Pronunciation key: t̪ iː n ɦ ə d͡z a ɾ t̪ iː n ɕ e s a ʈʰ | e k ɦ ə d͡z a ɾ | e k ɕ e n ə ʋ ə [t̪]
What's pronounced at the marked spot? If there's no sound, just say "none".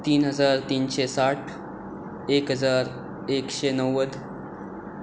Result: d̪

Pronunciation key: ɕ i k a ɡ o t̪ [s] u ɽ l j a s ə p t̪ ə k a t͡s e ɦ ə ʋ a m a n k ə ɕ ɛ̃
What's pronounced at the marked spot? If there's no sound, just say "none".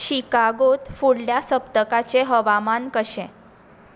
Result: f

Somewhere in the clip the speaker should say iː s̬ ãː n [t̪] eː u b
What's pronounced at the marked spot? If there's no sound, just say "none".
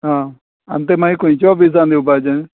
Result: d̪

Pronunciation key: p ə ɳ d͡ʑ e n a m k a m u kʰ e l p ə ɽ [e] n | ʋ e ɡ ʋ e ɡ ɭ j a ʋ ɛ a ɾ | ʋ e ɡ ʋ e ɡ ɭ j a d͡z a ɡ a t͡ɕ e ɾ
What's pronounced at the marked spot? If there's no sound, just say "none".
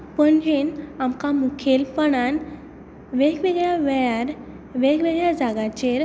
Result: a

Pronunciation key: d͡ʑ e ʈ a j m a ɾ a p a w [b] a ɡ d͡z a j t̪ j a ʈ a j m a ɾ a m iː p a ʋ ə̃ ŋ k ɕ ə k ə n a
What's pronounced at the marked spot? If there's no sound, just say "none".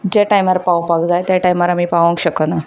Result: p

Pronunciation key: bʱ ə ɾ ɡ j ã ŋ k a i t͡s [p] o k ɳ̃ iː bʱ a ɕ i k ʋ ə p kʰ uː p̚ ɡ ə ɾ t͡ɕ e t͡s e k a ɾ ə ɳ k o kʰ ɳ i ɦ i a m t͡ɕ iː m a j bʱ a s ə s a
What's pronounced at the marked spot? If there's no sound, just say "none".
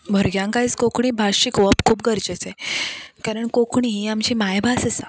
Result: k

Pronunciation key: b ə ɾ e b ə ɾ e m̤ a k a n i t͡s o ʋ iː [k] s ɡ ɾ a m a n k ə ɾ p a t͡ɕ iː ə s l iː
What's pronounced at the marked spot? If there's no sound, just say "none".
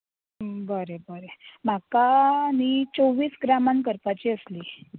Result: none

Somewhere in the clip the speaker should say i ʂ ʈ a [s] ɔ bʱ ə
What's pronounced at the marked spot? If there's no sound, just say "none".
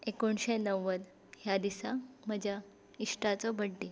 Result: t͡s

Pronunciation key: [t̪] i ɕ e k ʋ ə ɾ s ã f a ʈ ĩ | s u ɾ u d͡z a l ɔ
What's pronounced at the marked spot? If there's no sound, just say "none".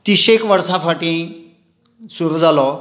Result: t̪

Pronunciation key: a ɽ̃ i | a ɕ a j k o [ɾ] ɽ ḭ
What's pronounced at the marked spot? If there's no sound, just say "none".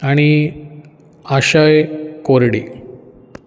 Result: ɾ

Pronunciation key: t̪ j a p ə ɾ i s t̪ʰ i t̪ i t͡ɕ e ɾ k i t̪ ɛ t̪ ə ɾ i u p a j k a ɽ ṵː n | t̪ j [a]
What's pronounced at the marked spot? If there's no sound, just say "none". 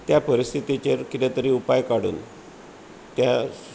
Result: a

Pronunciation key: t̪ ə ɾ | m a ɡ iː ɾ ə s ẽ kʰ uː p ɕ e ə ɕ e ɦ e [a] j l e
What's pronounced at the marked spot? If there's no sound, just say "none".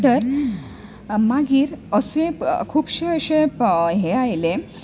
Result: a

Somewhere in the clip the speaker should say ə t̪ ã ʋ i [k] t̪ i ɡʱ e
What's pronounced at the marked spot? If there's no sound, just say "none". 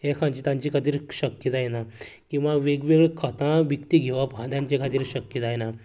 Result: k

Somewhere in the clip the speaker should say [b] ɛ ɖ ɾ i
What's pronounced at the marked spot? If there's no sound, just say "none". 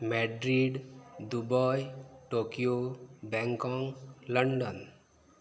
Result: m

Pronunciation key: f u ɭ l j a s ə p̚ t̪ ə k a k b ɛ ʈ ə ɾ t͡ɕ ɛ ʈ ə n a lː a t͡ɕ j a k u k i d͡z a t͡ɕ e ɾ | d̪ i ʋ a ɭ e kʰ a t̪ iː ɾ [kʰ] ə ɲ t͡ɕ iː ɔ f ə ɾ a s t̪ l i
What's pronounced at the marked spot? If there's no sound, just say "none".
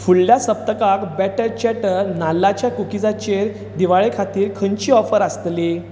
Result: kʰ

